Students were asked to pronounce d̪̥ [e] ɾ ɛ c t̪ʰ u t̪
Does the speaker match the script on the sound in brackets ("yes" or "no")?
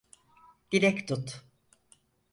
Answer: no